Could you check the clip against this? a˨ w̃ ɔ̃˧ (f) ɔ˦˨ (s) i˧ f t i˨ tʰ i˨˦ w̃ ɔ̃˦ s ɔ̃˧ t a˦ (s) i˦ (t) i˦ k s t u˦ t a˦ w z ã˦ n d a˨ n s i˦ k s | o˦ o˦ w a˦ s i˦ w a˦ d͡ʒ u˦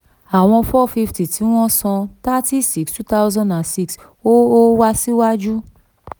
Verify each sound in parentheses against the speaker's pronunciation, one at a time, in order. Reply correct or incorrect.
correct, incorrect: f, incorrect: t, incorrect: s

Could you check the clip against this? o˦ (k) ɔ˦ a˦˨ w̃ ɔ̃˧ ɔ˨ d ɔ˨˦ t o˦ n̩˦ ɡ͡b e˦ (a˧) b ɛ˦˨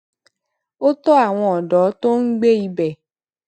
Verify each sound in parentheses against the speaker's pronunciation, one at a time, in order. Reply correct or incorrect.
incorrect: t, incorrect: i˧

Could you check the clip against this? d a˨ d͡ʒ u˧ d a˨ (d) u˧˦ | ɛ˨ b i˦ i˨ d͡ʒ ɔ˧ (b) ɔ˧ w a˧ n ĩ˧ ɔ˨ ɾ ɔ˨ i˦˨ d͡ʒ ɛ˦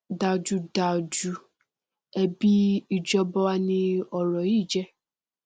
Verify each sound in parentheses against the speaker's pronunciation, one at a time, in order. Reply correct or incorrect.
incorrect: d͡ʒ, correct

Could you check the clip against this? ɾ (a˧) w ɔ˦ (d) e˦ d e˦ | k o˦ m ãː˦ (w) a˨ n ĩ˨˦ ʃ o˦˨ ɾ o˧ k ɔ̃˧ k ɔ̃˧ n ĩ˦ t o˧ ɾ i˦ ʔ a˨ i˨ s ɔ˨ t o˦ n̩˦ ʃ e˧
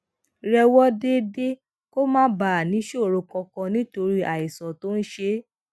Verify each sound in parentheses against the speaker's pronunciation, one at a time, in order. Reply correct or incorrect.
incorrect: ɛ˧, correct, incorrect: b

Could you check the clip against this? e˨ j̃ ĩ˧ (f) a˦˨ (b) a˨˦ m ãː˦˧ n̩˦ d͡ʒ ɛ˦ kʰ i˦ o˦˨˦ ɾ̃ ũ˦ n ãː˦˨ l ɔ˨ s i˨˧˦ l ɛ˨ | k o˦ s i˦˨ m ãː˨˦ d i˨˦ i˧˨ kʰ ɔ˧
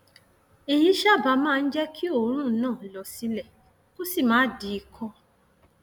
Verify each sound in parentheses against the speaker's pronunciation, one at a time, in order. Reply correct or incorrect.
incorrect: ʃ, correct

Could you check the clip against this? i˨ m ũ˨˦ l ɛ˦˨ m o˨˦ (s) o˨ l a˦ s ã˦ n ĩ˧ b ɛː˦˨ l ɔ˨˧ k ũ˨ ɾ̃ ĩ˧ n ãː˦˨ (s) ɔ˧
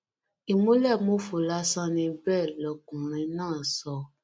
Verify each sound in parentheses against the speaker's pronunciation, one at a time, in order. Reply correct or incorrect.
incorrect: f, correct

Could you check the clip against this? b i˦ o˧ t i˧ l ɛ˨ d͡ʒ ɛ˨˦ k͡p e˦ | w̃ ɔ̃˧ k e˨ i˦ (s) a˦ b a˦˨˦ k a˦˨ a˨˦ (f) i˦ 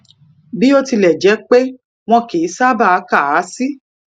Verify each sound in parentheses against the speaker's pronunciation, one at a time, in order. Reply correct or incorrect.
correct, incorrect: s

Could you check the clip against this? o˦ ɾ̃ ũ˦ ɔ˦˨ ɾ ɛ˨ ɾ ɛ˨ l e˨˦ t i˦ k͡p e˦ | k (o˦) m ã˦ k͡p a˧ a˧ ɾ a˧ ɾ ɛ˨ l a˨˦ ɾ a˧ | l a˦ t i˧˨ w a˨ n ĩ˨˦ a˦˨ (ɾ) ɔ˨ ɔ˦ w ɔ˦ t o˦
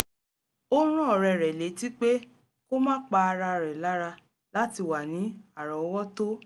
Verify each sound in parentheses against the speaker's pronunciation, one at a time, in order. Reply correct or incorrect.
correct, correct

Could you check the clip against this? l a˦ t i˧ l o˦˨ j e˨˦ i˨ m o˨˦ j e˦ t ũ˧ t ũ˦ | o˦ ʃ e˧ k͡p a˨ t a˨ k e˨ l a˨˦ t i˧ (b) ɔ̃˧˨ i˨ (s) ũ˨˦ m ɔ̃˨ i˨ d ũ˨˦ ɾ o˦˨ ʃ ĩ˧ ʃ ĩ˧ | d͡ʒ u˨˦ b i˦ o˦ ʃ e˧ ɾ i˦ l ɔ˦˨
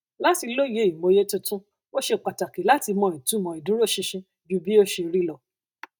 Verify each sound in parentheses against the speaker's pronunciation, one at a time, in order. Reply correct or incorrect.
incorrect: m, incorrect: t

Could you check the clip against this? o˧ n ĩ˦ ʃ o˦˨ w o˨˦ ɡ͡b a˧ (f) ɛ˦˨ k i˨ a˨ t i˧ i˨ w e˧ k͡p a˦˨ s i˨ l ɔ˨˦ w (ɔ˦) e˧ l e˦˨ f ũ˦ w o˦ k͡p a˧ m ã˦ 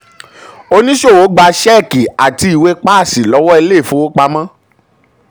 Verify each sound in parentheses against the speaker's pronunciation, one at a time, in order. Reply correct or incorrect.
incorrect: ʃ, correct

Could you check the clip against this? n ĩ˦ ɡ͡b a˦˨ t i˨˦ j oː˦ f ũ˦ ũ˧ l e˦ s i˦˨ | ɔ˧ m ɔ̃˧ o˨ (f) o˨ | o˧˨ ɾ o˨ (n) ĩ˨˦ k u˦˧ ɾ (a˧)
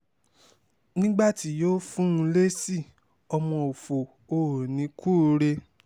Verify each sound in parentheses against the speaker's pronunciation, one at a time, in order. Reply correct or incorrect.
correct, correct, incorrect: e˧

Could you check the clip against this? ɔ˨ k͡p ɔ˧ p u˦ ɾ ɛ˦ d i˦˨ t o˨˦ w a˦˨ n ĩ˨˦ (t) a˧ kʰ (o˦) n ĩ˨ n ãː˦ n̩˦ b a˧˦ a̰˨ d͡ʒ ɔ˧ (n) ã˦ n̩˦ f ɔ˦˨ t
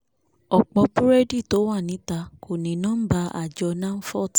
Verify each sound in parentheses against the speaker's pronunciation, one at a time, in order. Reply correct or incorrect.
correct, incorrect: o˨, correct

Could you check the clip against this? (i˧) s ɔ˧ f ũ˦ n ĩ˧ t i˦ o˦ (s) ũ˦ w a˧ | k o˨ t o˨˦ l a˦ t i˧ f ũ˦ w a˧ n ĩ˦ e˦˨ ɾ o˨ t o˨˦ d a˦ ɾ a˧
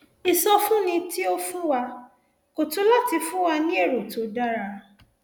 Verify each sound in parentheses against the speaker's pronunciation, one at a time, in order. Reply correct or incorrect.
correct, incorrect: f

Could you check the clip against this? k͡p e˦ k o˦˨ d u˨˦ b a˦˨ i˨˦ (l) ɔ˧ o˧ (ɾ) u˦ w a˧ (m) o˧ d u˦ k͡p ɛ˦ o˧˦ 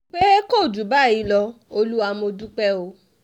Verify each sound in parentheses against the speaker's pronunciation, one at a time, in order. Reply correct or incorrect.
correct, incorrect: l, correct

